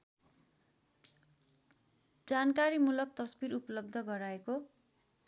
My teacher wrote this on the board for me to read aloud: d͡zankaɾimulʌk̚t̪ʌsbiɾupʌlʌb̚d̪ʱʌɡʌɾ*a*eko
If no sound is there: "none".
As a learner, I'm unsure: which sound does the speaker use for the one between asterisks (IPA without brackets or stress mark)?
a